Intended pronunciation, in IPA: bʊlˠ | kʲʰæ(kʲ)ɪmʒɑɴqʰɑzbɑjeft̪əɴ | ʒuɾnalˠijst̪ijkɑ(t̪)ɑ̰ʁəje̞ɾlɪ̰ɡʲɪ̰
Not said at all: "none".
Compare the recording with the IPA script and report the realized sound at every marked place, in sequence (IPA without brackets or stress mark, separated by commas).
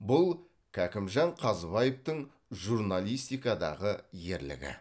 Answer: kʲ, d̪